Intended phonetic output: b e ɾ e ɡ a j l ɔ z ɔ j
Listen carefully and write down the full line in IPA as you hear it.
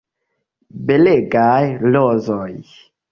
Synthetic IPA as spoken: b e l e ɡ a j l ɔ z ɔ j